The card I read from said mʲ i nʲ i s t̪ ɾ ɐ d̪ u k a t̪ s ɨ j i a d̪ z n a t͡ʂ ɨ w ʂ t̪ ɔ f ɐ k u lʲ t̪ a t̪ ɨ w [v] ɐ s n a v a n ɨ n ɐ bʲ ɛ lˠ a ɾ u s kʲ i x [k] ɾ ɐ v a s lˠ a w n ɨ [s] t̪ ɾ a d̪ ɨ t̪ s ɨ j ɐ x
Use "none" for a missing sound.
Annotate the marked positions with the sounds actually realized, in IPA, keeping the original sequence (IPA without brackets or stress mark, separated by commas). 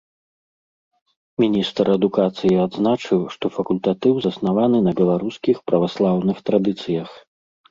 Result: z, p, x